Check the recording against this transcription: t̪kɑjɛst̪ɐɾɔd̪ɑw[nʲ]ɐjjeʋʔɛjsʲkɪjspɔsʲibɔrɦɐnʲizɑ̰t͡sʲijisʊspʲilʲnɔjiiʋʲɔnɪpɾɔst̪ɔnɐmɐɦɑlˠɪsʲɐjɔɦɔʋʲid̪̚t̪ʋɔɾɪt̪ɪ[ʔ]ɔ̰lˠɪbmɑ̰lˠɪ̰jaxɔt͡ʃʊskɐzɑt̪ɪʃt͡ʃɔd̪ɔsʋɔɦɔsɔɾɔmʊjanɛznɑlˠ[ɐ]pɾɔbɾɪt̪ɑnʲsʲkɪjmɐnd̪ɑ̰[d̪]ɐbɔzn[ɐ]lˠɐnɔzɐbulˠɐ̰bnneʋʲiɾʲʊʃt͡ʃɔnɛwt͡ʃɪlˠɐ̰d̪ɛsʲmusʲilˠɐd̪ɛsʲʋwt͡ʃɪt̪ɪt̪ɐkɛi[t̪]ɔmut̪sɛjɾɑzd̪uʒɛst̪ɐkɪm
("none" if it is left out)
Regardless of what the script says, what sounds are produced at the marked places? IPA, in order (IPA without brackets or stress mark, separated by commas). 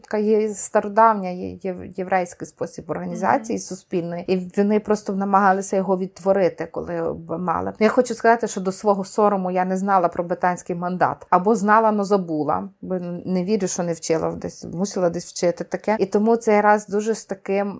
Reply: nʲ, k, ɐ, t̪, ɑ, t̪